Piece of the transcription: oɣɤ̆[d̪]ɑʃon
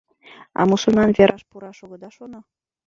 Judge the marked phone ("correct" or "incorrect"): correct